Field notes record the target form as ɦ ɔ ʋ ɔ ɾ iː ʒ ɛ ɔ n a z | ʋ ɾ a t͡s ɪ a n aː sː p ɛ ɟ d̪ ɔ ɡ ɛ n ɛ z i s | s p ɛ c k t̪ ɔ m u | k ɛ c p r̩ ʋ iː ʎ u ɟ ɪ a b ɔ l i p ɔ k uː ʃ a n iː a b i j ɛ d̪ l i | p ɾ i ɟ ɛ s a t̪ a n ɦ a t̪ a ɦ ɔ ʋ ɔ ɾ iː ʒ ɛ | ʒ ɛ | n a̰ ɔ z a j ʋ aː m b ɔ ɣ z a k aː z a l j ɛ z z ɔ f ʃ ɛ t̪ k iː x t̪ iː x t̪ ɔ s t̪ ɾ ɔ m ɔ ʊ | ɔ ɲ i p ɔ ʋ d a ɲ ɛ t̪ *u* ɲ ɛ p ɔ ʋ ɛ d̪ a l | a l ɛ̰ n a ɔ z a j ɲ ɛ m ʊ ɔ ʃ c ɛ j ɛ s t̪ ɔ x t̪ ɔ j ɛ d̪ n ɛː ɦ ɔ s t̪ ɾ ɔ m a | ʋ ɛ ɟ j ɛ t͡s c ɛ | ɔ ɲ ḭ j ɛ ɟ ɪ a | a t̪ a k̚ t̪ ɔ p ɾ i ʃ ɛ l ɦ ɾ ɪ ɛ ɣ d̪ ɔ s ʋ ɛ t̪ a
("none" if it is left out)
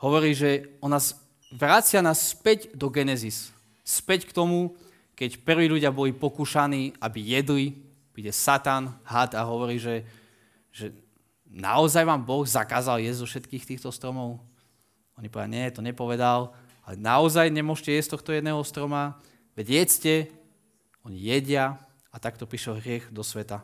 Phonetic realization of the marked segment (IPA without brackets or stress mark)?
ɔ